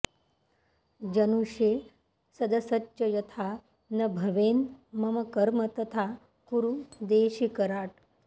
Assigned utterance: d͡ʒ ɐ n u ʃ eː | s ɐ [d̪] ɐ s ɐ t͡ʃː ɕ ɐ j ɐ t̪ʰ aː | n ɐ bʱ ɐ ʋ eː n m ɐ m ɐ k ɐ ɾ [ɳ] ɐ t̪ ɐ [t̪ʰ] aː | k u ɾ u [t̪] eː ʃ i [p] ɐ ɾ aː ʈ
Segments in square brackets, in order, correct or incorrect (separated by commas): correct, incorrect, correct, incorrect, incorrect